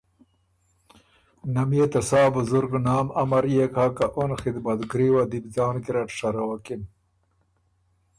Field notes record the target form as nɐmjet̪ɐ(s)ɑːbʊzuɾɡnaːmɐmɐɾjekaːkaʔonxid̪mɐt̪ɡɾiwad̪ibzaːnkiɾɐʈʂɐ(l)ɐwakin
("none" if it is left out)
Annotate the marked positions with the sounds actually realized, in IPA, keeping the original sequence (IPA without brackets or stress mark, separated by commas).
s, ɾ